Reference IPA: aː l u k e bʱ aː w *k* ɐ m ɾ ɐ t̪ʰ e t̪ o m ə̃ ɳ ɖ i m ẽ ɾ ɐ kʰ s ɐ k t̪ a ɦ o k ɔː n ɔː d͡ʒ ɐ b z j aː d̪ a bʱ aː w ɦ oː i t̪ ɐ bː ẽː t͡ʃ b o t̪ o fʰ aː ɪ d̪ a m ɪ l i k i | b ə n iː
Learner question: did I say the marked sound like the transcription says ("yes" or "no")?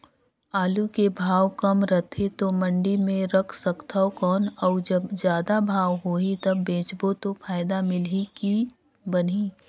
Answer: yes